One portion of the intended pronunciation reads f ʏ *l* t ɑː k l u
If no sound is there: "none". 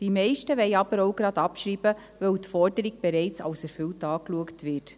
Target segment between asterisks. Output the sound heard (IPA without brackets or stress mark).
l